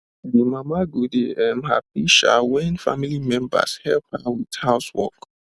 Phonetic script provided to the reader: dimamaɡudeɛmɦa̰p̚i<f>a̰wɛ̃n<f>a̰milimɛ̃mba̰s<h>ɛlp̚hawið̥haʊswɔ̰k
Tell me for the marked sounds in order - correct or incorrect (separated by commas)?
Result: incorrect, correct, correct